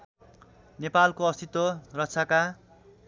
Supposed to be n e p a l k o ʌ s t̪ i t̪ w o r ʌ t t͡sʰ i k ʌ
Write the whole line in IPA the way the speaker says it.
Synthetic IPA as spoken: n e p a l k o ʌ s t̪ i t̪ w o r ʌ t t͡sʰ a k a